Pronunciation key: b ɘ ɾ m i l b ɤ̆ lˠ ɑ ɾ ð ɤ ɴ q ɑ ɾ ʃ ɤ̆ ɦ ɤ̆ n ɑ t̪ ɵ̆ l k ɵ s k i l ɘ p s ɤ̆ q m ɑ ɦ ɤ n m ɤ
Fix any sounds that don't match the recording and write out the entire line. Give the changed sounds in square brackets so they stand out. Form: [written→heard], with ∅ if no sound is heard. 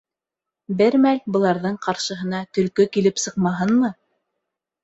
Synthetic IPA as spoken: b ɘ ɾ m [i→æ] l b ɤ̆ lˠ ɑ ɾ ð ɤ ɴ q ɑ ɾ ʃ ɤ̆ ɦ ɤ̆ n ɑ t̪ ɵ̆ l k ɵ [s→∅] k i l ɘ p s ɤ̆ q m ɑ ɦ ɤ n m ɤ